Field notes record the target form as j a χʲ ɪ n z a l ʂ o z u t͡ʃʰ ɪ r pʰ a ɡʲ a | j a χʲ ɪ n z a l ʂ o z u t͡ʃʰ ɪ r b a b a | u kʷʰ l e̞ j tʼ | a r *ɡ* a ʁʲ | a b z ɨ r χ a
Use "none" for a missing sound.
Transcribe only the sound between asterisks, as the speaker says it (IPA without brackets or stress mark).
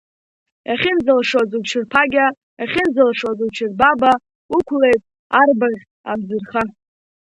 b